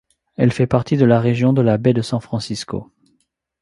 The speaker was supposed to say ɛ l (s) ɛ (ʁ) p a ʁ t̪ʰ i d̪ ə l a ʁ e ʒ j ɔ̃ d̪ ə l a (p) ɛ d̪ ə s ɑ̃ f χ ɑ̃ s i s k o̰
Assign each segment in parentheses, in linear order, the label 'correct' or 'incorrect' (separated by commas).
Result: incorrect, incorrect, incorrect